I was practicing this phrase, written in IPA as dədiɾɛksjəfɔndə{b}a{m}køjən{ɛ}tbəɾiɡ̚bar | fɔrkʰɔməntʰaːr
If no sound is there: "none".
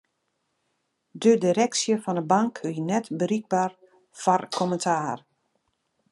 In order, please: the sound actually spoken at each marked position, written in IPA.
b, ŋ, ɛ

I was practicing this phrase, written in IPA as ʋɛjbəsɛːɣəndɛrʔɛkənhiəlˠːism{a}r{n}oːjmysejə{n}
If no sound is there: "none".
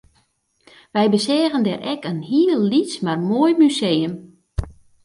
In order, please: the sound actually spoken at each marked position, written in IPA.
a, m, m

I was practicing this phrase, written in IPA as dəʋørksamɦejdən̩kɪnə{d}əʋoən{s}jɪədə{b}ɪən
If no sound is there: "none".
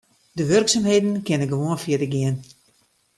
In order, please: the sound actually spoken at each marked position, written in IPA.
ɡ, f, ɡ

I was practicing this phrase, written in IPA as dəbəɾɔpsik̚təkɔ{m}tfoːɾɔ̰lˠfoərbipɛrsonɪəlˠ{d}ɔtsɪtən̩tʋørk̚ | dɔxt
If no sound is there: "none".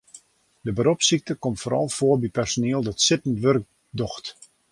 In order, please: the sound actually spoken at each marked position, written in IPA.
m, d

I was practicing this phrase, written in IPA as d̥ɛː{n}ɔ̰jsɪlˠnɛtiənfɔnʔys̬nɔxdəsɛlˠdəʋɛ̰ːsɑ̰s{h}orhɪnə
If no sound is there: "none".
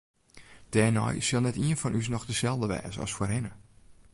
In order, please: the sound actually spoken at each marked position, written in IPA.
n, f

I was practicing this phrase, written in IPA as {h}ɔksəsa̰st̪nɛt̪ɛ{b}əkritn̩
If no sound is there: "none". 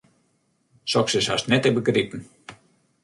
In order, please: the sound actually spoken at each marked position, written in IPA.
s, b

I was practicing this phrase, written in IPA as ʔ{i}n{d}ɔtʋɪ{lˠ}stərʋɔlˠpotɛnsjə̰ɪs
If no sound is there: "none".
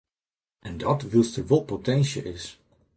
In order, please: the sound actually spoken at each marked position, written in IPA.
ɛ, d, lˠ

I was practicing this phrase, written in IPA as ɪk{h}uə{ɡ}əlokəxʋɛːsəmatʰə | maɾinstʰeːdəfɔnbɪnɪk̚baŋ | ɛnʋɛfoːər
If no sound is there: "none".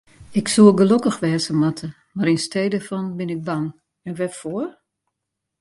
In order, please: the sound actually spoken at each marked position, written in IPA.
s, ɡ

